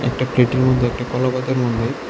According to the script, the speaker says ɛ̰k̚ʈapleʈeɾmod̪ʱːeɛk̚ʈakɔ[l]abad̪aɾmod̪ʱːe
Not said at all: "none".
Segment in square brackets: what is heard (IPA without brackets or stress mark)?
l